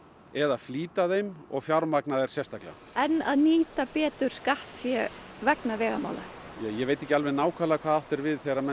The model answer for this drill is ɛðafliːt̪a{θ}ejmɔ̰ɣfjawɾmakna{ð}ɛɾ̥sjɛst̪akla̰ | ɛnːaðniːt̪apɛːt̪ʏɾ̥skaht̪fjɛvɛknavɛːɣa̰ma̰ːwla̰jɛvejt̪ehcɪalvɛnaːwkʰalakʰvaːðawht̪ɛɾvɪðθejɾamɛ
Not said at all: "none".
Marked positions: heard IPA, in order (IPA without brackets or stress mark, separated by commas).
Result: ð, ð